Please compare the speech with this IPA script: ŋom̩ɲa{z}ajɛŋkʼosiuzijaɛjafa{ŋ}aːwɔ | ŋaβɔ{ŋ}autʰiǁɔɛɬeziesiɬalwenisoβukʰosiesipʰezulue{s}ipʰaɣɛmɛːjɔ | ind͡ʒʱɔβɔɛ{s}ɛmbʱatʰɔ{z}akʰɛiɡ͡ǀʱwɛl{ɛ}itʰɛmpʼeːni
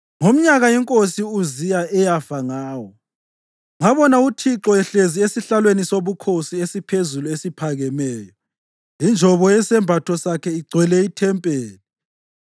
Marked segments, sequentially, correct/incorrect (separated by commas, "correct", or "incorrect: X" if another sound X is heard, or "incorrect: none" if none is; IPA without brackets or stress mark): incorrect: ɣ, correct, incorrect: n, correct, correct, incorrect: s, correct